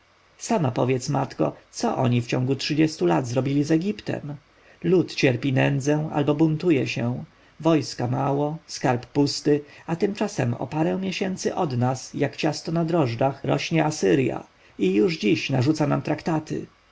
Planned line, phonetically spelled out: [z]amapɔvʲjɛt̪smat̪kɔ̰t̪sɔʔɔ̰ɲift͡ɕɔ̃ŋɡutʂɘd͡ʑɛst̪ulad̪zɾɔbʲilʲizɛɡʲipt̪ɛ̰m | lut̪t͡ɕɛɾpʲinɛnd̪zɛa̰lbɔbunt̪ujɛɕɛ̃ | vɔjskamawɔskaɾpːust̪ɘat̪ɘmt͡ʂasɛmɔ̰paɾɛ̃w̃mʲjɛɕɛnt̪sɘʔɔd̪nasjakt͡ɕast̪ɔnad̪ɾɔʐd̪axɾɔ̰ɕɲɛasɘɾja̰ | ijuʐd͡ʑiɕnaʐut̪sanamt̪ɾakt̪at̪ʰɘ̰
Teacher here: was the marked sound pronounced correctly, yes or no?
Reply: no